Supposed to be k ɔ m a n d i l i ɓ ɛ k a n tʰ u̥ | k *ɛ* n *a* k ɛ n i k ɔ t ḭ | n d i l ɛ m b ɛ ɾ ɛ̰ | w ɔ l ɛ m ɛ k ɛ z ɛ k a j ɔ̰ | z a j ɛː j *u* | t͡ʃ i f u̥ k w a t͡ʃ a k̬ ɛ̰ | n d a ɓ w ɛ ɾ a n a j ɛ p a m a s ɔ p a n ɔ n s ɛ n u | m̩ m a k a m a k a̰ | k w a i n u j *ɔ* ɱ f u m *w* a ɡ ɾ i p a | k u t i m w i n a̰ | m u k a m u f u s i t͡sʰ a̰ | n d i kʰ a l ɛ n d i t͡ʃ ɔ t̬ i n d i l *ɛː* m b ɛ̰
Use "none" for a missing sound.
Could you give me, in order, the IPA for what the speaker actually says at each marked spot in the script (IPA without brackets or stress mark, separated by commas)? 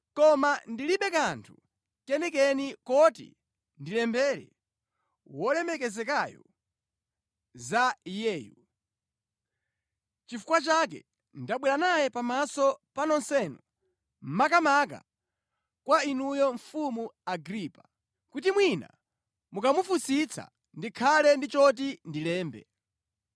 ɛ, ɛ, u, ɔ, u, ɛː